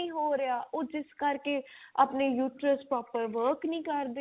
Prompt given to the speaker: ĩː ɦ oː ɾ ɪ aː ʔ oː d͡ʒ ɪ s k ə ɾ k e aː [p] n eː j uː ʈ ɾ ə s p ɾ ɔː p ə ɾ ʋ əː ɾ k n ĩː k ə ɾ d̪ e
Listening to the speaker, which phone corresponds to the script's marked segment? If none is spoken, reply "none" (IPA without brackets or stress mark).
p